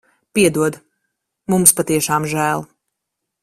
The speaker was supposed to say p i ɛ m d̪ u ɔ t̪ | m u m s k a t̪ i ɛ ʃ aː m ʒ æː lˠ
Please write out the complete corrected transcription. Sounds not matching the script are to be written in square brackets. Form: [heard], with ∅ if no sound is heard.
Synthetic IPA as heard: p i ɛ [∅] d̪ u ɔ [d̪] | m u m s [p] a t̪ i ɛ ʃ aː m ʒ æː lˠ